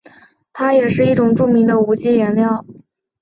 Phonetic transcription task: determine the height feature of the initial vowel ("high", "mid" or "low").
low